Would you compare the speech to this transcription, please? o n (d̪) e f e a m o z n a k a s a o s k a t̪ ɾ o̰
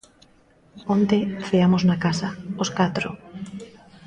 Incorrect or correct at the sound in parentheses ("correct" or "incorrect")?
incorrect